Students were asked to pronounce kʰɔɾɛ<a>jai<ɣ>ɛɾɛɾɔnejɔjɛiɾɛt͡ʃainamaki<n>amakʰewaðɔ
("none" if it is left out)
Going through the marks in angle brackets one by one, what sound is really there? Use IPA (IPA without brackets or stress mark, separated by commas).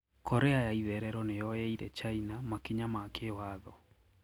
a, ð, ɲ